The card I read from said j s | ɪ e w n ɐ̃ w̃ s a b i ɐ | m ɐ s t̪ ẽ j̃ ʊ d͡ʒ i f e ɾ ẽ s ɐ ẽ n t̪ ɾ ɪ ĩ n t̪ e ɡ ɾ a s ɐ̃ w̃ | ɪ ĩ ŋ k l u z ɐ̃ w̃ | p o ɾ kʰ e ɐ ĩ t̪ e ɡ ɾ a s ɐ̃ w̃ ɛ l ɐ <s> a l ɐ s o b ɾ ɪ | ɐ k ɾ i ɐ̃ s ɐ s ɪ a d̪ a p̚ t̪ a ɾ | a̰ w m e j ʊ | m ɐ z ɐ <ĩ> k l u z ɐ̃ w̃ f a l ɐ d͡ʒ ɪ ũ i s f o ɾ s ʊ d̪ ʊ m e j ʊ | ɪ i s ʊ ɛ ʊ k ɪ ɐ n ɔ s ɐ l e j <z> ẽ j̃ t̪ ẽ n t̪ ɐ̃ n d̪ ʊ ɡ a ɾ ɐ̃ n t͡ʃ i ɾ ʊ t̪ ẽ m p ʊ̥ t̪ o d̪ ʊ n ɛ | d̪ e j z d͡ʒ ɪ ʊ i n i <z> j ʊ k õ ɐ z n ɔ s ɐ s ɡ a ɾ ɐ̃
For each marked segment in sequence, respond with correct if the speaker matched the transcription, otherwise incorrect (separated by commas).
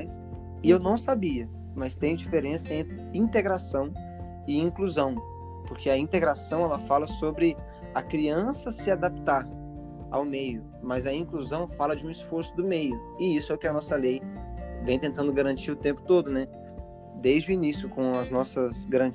incorrect, correct, incorrect, incorrect